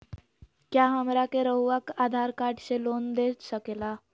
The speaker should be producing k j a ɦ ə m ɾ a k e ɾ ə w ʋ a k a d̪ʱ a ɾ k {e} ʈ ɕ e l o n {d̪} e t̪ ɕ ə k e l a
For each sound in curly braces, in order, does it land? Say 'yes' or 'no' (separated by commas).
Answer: no, yes